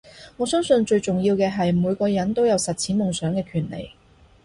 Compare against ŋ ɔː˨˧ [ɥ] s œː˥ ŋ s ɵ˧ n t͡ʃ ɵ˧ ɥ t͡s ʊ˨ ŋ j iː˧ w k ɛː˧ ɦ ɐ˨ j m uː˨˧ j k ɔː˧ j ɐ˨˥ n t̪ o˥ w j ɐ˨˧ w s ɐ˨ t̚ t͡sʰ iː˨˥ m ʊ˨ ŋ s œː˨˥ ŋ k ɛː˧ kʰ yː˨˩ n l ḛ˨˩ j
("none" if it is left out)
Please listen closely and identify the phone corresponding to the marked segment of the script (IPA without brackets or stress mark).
none